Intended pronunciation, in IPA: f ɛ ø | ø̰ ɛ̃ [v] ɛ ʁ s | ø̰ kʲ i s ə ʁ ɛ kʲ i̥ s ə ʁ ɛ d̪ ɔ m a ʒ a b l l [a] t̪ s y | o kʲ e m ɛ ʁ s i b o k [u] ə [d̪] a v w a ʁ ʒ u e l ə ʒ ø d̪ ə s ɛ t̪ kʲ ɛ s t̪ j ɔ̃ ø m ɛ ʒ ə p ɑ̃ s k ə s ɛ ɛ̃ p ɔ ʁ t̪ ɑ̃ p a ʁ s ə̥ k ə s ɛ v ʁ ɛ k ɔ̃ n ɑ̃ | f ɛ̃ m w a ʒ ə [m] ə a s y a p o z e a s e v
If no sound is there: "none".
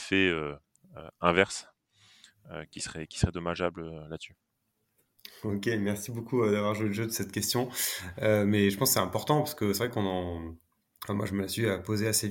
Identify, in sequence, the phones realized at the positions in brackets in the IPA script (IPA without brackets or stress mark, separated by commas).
v, a, u, d̪, m